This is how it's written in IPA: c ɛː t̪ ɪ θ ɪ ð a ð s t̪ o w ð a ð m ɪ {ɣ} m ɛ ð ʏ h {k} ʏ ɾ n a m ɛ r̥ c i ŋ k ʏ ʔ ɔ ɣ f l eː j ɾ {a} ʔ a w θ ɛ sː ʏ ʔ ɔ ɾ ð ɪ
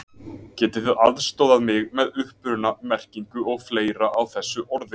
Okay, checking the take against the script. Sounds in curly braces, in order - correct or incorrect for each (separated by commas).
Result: correct, incorrect, correct